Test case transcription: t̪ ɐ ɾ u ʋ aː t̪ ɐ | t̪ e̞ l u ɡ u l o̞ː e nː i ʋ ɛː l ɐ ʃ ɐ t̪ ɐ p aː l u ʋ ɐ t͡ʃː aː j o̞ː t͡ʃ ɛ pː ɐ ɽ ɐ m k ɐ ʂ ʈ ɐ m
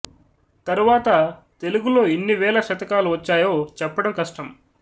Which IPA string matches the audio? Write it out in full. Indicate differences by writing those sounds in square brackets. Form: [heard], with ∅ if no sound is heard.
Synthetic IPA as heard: t̪ ɐ ɾ u ʋ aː t̪ ɐ | t̪ e̞ l u ɡ u l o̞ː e nː i ʋ ɛː l ɐ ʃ ɐ t̪ ɐ [k] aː l u ʋ ɐ t͡ʃː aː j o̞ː t͡ʃ ɛ pː ɐ ɽ ɐ m k ɐ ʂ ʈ ɐ m